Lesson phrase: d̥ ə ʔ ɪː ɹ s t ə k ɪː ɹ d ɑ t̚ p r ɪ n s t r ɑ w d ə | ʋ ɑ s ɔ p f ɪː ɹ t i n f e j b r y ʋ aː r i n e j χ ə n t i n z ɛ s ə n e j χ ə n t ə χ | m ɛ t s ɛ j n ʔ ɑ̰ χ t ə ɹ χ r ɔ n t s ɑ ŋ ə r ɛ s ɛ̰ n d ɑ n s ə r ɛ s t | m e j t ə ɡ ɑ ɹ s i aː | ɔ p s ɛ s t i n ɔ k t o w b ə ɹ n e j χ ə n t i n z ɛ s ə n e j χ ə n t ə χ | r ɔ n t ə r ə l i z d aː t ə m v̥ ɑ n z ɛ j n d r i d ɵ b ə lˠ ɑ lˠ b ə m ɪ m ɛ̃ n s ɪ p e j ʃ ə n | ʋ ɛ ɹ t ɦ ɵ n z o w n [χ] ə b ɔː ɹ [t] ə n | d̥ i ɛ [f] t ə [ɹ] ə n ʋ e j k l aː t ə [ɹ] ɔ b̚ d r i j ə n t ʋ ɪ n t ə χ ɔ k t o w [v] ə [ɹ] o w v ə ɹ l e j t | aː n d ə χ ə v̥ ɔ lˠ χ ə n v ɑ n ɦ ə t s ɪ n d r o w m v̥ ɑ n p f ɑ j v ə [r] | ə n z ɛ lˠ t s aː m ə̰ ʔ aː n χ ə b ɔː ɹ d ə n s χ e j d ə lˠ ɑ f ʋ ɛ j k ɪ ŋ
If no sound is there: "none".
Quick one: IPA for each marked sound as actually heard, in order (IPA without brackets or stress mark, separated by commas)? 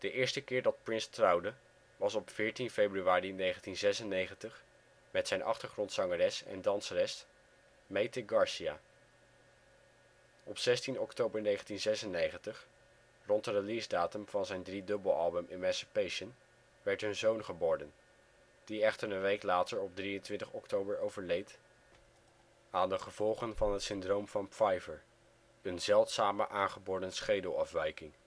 χ, d, χ, ɹ, ɹ, b, ɹ, ɹ